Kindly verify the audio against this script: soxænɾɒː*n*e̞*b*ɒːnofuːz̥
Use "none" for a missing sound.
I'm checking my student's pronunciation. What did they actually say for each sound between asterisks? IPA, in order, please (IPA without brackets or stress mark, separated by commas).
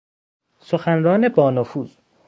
n, b